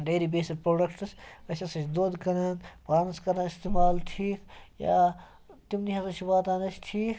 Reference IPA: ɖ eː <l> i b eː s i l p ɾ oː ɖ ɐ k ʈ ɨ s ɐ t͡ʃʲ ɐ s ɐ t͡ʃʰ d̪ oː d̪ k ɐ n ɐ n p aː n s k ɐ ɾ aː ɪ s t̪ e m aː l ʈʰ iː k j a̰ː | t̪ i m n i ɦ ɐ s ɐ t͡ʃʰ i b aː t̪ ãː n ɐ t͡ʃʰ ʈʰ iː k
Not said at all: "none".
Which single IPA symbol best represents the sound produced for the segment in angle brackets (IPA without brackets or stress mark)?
ɾ